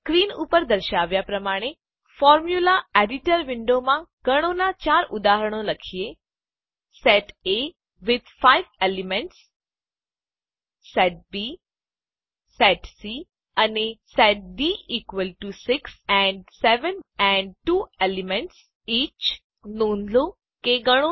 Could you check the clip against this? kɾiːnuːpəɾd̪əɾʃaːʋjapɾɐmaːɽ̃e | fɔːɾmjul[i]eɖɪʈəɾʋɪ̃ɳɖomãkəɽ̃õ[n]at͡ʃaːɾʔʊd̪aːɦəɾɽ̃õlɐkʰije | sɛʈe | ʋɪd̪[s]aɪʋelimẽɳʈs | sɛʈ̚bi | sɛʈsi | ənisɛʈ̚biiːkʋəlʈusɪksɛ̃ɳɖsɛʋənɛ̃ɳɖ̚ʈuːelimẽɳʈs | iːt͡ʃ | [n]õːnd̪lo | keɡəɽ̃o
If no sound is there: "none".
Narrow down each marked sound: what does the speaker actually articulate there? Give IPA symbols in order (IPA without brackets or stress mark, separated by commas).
a, n, f, n